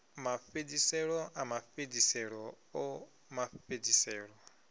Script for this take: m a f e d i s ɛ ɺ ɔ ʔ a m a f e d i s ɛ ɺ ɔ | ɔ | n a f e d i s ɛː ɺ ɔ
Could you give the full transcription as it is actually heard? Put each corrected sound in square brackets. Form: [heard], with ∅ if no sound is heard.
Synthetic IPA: m a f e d i s ɛ ɺ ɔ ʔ a m a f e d i s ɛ ɺ ɔ | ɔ | [m] a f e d i s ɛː ɺ ɔ